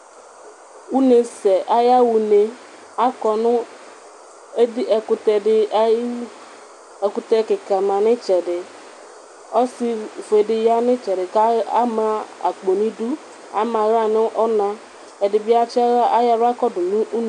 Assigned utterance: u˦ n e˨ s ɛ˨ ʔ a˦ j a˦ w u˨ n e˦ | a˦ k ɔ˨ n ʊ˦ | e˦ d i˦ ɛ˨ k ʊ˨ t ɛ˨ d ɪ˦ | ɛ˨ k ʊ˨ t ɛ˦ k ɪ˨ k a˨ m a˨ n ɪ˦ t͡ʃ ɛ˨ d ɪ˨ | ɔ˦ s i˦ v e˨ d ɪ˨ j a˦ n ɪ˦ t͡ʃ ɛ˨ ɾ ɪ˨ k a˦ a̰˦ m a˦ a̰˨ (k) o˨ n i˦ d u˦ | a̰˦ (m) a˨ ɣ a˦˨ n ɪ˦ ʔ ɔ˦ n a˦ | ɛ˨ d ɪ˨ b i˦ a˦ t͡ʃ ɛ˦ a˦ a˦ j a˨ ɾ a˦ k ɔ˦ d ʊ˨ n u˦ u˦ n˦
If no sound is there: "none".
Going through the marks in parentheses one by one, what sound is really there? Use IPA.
k͡p, m

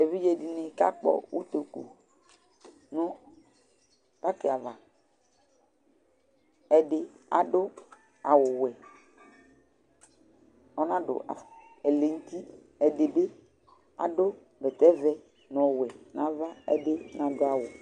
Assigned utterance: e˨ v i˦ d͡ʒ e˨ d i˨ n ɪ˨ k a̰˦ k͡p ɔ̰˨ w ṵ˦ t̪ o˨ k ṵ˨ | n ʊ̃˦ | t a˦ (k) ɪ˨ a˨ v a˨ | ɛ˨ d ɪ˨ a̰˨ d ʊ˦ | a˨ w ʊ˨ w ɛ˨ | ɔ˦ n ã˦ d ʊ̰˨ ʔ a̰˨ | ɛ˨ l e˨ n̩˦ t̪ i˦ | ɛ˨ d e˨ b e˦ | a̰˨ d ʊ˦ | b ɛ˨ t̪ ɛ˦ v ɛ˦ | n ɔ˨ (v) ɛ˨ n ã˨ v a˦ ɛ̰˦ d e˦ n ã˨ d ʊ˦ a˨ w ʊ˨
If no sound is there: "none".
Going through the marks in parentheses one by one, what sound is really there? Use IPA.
k, w

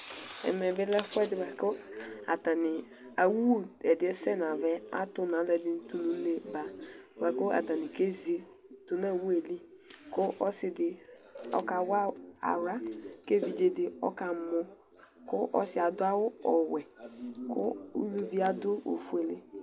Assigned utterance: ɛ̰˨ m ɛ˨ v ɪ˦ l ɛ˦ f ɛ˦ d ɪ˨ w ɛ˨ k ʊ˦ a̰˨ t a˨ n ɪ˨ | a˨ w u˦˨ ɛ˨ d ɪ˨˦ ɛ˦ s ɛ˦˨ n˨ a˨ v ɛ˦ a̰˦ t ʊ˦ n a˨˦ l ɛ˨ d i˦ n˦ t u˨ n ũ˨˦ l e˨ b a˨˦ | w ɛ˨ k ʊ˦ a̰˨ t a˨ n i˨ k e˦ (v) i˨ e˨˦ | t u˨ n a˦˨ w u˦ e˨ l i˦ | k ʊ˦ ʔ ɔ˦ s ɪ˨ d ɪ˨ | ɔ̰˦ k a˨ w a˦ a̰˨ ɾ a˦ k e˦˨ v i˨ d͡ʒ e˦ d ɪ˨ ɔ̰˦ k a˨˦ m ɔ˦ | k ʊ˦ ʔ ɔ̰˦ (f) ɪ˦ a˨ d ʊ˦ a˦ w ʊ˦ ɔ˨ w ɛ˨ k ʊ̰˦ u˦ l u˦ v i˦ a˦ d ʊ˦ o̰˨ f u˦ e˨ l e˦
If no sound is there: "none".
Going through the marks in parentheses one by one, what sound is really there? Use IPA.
z, s

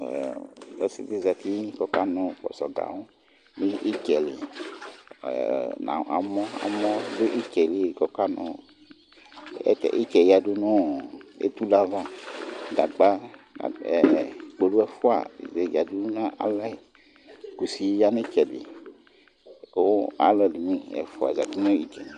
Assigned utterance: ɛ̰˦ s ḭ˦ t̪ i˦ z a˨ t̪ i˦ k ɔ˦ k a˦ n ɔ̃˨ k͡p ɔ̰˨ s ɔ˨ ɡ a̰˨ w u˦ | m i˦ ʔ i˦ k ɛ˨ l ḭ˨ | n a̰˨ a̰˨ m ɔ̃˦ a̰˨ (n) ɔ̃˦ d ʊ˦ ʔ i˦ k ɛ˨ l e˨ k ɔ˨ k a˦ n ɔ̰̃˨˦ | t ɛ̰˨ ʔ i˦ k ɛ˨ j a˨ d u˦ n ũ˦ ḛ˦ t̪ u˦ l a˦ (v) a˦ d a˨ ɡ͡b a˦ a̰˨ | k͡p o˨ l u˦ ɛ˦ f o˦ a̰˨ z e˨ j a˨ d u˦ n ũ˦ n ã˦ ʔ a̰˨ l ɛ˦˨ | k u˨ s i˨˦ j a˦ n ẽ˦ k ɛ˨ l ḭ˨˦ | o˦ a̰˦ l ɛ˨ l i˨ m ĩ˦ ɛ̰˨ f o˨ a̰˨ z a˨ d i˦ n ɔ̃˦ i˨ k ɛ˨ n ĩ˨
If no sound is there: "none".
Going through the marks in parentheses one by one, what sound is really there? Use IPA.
m, v

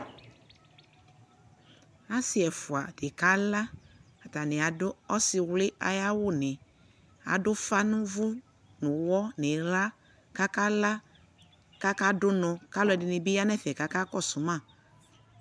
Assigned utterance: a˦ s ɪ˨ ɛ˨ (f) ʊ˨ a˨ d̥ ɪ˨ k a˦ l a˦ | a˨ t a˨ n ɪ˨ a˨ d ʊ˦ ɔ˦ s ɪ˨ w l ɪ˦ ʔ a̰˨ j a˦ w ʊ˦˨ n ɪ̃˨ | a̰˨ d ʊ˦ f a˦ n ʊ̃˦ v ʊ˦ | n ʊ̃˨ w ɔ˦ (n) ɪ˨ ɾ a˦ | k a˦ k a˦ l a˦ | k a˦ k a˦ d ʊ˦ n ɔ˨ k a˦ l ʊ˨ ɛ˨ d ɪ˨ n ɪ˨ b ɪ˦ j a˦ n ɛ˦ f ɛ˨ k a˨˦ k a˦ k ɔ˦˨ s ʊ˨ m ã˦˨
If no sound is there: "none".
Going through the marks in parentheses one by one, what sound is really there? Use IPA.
f, n

